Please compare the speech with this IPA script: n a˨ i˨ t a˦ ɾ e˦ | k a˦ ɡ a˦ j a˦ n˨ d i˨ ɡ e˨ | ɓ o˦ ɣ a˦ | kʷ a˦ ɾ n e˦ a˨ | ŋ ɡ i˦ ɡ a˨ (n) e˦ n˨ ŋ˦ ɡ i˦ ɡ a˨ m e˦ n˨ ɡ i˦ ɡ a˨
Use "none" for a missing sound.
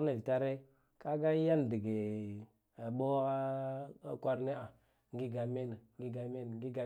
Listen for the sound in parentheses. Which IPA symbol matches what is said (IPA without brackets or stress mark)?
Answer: m